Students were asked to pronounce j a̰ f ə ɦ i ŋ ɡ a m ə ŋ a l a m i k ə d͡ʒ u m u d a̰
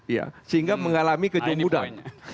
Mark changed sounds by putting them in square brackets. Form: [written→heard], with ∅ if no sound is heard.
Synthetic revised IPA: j a̰ [f→s] ə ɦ i ŋ ɡ a m ə ŋ a l a m i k ə d͡ʒ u m u d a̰